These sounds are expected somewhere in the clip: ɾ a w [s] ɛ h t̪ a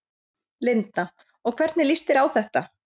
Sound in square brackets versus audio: incorrect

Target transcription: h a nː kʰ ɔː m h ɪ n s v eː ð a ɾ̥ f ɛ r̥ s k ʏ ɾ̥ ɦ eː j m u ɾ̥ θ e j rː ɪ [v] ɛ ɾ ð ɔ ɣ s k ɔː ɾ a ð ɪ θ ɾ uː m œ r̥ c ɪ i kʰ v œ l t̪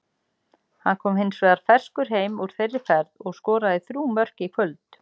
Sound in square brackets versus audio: incorrect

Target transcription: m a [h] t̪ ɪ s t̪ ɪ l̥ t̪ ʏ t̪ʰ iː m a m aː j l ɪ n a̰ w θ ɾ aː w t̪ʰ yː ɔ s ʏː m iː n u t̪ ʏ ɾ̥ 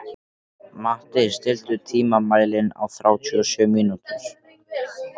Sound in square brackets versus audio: correct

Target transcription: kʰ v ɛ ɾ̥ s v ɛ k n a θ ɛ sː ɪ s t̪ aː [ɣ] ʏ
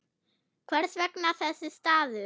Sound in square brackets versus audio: incorrect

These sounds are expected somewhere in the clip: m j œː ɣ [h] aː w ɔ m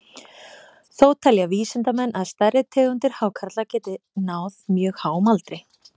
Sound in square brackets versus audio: correct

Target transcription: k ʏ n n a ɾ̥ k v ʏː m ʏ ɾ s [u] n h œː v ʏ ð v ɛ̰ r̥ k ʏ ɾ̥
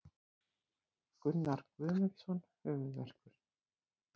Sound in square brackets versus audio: incorrect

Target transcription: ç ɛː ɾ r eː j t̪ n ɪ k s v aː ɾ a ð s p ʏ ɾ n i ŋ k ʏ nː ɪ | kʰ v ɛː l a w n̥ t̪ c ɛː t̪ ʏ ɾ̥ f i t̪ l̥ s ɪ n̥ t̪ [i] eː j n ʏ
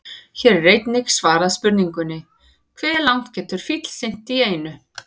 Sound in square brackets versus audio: correct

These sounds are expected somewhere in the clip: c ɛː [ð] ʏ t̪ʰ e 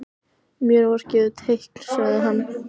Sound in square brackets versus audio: correct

